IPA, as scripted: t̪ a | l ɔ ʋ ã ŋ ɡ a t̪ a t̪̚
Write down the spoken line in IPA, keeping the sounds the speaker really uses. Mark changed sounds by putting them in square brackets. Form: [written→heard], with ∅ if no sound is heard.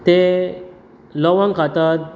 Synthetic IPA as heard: t̪ [a→e] | l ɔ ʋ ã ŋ [ɡ→k] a t̪ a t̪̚